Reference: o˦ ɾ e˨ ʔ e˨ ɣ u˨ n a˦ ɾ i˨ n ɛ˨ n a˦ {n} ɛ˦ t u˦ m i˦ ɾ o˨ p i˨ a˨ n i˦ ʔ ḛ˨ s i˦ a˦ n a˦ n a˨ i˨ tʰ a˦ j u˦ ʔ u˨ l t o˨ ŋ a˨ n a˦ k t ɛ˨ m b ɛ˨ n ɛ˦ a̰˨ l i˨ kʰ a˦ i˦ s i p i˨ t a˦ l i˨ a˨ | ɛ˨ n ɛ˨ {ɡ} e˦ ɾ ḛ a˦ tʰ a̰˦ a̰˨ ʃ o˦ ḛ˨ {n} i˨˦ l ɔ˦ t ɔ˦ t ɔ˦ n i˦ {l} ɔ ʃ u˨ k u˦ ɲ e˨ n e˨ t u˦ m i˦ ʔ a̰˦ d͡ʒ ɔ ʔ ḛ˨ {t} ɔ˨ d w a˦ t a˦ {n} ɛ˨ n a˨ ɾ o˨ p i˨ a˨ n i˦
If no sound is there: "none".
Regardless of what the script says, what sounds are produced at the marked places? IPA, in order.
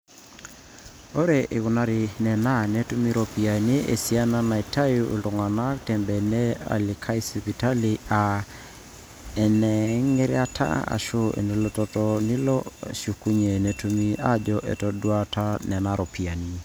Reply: n, ŋ, n, l, t, n

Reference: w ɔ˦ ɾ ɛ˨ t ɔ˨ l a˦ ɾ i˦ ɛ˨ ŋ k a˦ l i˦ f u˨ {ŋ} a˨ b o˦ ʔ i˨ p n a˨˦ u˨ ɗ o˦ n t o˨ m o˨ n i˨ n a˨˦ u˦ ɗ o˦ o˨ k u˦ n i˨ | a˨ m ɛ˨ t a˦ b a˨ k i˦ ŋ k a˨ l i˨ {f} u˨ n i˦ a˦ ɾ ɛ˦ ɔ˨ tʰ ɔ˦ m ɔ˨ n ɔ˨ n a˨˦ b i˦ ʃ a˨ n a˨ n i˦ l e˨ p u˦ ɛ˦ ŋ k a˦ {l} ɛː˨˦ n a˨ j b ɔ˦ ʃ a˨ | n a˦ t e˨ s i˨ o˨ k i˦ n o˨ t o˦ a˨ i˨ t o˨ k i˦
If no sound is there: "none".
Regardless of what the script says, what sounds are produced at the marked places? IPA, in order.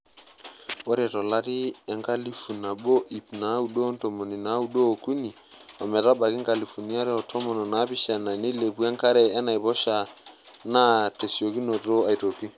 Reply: n, f, ɾ

